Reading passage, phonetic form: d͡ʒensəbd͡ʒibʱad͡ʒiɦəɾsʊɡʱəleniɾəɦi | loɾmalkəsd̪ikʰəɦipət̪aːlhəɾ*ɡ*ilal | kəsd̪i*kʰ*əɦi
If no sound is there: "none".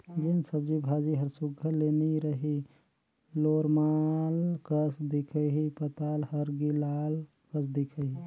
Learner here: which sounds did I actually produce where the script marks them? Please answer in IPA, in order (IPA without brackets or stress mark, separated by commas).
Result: ɡ, kʰ